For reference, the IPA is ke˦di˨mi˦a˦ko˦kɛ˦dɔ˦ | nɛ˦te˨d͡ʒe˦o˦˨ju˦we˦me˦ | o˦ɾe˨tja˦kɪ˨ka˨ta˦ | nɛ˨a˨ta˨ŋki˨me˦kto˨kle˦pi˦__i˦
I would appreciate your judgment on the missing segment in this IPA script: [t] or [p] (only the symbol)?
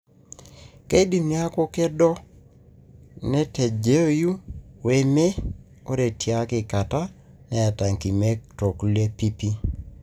p